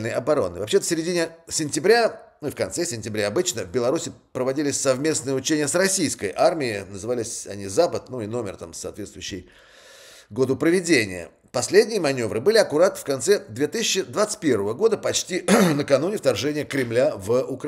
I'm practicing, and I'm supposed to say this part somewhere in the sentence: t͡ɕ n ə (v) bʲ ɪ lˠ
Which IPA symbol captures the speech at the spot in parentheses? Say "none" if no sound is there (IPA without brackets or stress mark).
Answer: v